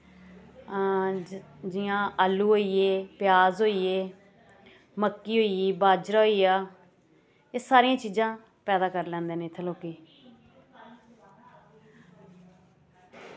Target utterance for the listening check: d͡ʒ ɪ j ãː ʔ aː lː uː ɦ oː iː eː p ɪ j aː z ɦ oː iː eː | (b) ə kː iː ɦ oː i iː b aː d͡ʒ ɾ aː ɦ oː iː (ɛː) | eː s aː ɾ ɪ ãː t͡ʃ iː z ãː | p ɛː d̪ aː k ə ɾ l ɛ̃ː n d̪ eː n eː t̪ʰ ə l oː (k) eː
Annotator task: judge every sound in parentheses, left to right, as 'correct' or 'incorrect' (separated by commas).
incorrect, incorrect, correct